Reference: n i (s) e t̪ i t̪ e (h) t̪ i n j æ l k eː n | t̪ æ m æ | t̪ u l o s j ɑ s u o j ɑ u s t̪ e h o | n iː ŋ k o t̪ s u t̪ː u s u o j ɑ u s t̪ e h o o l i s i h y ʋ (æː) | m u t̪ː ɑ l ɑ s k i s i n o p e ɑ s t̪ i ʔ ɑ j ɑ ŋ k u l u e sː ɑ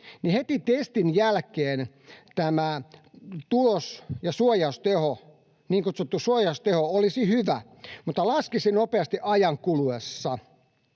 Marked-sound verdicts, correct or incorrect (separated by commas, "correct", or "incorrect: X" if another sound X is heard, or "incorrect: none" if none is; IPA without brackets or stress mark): incorrect: h, incorrect: s, incorrect: æ